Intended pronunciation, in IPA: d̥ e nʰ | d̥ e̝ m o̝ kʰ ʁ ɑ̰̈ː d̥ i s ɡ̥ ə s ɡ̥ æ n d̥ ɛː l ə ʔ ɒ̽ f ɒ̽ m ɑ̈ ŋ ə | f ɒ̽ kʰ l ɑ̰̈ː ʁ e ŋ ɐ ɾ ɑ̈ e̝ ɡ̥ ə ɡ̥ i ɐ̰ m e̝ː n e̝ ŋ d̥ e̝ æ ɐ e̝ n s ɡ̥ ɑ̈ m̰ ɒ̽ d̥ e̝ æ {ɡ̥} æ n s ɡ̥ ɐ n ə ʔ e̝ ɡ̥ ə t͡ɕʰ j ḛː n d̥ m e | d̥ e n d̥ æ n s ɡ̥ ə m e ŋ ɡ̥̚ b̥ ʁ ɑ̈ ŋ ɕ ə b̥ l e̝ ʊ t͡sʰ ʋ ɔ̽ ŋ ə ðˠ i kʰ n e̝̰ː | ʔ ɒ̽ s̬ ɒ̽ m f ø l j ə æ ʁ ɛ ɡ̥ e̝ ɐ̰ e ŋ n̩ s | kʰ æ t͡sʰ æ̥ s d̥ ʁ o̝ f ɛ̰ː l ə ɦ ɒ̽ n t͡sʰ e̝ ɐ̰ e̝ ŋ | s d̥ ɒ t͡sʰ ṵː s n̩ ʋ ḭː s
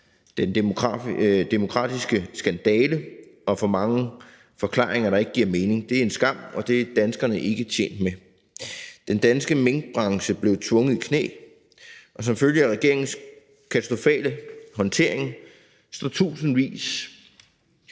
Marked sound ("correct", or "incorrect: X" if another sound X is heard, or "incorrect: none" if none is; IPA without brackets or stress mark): incorrect: d̥